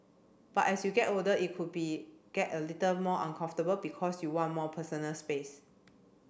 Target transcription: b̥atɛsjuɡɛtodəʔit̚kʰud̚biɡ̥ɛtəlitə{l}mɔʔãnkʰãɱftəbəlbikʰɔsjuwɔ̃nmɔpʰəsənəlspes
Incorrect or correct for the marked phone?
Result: correct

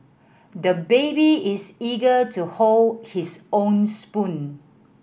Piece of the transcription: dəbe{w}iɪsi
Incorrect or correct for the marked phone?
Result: incorrect: b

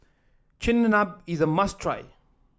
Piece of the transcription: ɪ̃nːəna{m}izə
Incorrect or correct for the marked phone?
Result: incorrect: b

